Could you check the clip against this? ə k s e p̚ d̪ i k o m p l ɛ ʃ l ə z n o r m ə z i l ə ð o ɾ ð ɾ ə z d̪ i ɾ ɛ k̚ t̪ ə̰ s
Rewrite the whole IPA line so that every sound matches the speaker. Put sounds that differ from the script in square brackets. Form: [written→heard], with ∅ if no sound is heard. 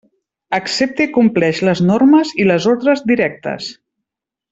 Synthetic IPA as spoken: ə k s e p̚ [d̪→t̪] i k [o→u] m p l ɛ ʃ l ə z n o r m ə z i l ə [ð→z] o ɾ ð ɾ ə z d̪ i ɾ ɛ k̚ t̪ ə̰ s